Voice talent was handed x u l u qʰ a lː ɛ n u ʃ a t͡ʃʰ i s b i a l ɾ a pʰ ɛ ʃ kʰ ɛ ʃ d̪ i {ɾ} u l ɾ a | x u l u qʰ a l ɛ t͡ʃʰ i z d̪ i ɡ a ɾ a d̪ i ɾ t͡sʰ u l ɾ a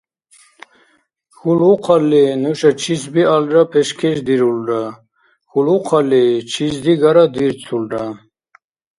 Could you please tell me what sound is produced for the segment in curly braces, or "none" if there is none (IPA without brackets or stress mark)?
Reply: ɾ